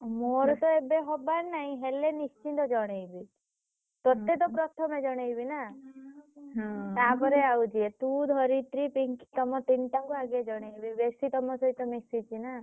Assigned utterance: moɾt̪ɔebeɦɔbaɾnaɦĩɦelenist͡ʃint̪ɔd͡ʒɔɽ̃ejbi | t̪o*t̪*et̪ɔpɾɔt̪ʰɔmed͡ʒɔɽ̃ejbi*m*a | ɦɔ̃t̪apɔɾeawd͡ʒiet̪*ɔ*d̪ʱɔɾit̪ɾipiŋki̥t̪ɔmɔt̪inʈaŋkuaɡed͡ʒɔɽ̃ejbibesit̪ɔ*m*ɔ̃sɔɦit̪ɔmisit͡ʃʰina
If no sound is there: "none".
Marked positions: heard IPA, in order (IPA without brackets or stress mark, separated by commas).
t̪, n, u, m